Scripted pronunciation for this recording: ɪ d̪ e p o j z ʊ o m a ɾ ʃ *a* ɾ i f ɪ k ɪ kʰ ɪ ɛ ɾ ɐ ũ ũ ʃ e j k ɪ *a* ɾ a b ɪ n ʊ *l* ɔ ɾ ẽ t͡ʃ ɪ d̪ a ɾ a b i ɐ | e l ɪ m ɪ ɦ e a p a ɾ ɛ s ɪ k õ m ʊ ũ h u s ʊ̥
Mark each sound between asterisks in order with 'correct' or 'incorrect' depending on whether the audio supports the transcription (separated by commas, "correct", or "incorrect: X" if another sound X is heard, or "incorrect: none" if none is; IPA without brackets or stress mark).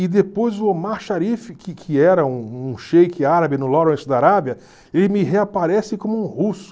correct, correct, correct